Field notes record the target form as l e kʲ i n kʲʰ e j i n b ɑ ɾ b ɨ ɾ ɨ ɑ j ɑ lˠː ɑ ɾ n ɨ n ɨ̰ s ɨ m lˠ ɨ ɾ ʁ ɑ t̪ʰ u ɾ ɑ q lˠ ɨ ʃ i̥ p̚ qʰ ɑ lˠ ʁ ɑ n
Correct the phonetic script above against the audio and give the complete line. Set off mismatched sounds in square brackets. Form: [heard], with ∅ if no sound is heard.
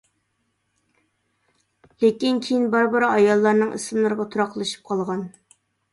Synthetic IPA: l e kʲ i n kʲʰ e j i n b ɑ ɾ b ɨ ɾ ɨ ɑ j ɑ lˠː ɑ ɾ n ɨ [ŋ] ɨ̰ s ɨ m lˠ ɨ ɾ ʁ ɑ t̪ʰ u ɾ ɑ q lˠ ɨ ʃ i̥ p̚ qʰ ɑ lˠ ʁ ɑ n